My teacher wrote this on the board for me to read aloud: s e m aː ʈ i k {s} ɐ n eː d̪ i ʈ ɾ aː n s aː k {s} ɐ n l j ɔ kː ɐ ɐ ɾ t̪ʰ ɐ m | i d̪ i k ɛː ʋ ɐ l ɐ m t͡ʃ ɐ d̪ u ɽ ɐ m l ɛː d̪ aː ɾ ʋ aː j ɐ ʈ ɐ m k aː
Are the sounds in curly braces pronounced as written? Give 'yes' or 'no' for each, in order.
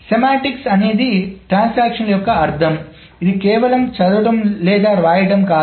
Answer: yes, no

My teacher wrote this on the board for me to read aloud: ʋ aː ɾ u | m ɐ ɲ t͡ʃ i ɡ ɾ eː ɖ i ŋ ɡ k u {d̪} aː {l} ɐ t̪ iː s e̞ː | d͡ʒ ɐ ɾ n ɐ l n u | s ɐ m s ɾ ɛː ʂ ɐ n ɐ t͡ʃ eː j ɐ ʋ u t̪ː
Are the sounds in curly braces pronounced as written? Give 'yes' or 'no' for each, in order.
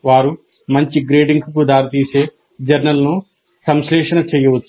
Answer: yes, no

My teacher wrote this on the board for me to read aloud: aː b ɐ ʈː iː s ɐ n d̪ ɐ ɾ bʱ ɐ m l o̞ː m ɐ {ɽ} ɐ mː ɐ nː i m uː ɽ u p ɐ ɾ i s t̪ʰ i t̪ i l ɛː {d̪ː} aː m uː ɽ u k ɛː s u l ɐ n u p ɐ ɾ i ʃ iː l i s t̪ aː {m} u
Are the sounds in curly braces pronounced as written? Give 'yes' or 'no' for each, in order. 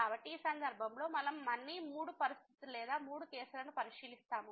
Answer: no, no, yes

